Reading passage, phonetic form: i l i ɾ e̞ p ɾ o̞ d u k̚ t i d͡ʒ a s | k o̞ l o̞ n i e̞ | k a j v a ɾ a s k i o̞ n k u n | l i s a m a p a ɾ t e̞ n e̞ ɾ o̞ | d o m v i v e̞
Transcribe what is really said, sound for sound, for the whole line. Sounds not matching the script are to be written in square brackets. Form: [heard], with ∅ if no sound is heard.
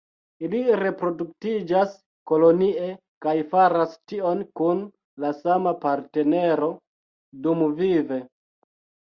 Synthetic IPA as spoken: i l i ɾ e̞ p ɾ o̞ d u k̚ t i d͡ʒ a s | k o̞ l o̞ n i e̞ | k a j [f] a ɾ a s [t] i o̞ n k u n | l [a] s a m a p a ɾ t e̞ n e̞ ɾ o̞ | d [u] m v i v e̞